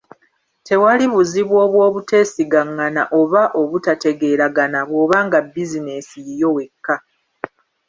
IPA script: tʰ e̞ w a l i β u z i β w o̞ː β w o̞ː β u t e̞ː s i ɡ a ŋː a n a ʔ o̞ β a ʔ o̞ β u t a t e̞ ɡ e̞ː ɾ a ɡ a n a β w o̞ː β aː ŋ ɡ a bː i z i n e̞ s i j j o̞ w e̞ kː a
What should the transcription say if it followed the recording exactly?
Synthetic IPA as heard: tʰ e̞ w a l i β u z i β w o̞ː β w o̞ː β u t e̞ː s i ɡ a ŋː a n a ʔ o̞ β a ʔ o̞ β u t a t e̞ ɡ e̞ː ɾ a ɡ a n a β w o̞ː β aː ŋ ɡ a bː i z i n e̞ s i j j o̞ w e̞ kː a